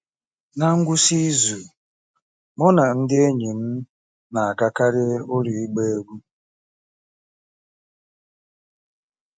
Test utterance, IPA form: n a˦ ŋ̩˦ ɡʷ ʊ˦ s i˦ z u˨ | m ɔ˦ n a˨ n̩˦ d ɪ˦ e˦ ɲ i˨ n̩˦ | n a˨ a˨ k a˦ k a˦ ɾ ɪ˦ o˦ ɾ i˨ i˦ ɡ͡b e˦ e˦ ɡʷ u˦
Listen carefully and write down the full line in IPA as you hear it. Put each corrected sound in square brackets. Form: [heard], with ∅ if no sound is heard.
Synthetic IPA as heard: n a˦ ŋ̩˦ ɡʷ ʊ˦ s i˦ z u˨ | m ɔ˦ n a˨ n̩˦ d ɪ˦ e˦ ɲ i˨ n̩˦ | n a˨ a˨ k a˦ k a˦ ɾ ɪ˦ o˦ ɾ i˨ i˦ ɡ͡b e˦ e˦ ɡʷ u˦